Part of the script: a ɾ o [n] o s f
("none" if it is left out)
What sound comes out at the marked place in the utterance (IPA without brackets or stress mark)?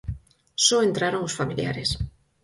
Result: ŋ